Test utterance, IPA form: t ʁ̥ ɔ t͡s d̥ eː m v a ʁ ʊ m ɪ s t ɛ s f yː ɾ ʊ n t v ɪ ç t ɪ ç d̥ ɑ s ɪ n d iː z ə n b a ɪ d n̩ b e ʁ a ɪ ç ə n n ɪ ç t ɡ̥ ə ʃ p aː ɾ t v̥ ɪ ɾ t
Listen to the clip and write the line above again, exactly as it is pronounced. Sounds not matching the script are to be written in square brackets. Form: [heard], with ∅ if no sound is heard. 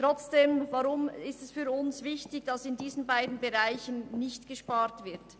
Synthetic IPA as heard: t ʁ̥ ɔ t͡s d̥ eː m v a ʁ ʊ m ɪ s t ɛ s f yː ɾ ʊ n [s] v ɪ ç t ɪ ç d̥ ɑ s ɪ n d iː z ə n b a ɪ d n̩ b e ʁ a ɪ ç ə n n ɪ ç t ɡ̥ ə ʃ p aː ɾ t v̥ ɪ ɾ t